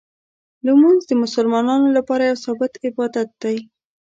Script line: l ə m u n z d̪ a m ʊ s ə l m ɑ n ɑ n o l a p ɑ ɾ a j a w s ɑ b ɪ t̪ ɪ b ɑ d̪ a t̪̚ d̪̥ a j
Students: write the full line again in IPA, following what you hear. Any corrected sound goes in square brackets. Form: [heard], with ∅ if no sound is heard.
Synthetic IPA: l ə m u n z d̪ [ə] m ʊ s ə l m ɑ n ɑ n o l a p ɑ ɾ a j a w s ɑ b ɪ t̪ ɪ b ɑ d̪ a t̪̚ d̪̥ a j